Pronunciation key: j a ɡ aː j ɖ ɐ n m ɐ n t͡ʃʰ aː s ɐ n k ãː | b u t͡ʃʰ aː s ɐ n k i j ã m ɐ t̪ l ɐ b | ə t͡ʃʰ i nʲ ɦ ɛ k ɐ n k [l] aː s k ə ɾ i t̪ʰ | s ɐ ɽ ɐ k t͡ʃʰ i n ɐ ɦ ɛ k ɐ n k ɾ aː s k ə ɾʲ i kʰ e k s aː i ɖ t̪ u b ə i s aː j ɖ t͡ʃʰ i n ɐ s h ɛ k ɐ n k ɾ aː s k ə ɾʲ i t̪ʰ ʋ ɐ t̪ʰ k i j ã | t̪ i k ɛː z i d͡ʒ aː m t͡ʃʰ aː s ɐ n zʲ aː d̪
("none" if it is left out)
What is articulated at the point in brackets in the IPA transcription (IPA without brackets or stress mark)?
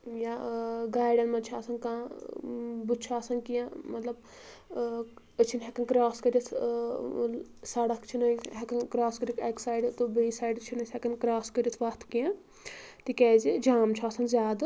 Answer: ɾ